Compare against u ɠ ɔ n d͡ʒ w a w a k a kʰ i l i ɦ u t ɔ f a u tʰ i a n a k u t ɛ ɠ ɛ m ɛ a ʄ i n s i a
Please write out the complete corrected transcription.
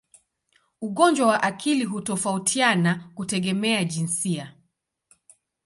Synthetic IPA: u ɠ ɔ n d͡ʒ w a w a ʔ a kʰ i l i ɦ u t ɔ f a u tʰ i a n a k u t ɛ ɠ ɛ m ɛ a ʄ i n s i a